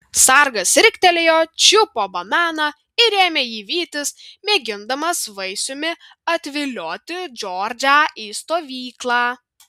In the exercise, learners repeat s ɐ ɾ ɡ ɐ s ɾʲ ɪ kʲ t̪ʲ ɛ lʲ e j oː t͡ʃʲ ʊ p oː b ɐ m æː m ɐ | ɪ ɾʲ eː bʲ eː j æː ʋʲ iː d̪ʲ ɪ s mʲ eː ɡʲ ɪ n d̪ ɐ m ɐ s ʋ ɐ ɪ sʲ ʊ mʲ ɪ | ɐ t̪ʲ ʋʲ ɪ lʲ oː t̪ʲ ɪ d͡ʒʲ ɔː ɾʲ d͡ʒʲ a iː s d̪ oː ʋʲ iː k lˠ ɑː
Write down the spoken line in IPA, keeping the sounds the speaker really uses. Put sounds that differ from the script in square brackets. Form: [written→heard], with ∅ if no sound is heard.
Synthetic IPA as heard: s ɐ ɾ ɡ ɐ s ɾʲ ɪ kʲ t̪ʲ ɛ lʲ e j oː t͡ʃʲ ʊ p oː b ɐ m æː [m→n] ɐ | ɪ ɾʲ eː [bʲ→mʲ] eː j [æː→iː] ʋʲ iː [d̪ʲ→t̪ʲ] ɪ s mʲ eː ɡʲ ɪ n d̪ ɐ m ɐ s ʋ ɐ ɪ sʲ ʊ mʲ ɪ | ɐ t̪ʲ ʋʲ ɪ lʲ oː t̪ʲ ɪ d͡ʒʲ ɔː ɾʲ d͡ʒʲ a iː s [d̪→t̪] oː ʋʲ iː k lˠ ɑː